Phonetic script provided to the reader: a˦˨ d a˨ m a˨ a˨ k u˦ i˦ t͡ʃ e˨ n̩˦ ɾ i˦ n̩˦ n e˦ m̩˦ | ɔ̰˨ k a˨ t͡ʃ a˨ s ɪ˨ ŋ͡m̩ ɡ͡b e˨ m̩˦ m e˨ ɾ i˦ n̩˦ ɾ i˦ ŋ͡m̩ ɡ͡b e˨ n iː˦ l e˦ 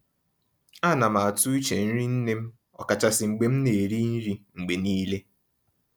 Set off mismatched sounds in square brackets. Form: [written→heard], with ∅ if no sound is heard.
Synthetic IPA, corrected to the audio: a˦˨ [d→n] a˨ m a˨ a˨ [k→t] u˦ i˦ t͡ʃ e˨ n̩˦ ɾ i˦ n̩˦ n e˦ m̩˦ | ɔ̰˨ k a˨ t͡ʃ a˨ s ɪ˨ ŋ͡m̩ ɡ͡b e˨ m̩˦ [m→n] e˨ ɾ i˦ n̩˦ ɾ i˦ ŋ͡m̩ ɡ͡b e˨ n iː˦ l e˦